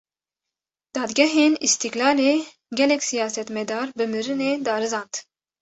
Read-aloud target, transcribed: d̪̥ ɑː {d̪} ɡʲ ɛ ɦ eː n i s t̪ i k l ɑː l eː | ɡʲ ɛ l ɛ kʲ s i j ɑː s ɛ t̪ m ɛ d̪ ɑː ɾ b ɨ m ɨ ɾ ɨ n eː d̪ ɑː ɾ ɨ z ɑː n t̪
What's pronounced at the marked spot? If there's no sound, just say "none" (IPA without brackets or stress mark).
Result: d̪